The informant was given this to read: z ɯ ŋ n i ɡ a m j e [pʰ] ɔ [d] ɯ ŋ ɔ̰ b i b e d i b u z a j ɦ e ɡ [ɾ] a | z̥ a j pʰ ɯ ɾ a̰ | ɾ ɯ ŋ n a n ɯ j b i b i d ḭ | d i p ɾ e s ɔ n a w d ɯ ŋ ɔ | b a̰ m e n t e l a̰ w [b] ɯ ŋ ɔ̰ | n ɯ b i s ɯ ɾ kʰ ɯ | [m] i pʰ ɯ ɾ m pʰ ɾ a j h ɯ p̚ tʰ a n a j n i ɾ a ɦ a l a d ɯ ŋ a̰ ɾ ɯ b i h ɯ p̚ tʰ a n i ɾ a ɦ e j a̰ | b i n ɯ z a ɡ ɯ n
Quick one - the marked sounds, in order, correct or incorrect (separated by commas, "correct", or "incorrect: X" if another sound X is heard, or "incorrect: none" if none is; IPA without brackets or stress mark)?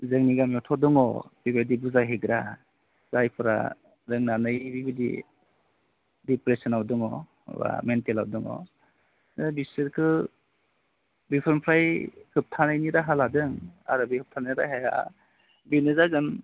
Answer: incorrect: tʰ, correct, correct, incorrect: d, incorrect: b